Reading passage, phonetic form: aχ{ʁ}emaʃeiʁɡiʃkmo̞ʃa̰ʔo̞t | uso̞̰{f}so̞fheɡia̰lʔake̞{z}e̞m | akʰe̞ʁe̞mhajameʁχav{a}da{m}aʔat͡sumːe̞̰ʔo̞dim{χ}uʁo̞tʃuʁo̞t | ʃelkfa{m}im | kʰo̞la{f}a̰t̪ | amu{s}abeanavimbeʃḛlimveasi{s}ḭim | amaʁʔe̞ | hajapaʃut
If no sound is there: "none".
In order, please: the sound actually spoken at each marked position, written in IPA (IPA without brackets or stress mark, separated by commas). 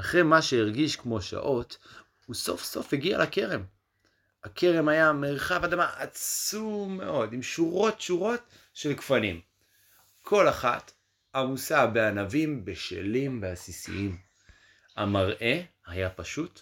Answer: ʁ, f, ʁ, a, m, ʃ, n, χ, s, s